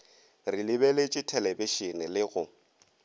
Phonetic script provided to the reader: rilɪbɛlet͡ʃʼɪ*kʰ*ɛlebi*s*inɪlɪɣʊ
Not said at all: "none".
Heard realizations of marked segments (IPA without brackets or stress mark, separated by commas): tʰ, ʃ